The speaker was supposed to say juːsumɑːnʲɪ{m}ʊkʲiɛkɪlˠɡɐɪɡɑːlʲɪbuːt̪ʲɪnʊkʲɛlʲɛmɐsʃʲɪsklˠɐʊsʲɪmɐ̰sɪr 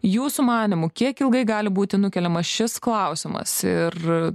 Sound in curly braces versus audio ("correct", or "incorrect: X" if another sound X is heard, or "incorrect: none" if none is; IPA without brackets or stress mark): correct